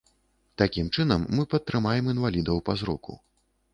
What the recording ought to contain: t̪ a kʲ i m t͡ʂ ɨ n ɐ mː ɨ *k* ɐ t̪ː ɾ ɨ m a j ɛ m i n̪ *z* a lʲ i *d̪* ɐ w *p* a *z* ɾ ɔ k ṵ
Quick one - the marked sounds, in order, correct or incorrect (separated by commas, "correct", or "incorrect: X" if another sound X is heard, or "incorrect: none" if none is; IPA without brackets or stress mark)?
incorrect: p, incorrect: v, correct, correct, correct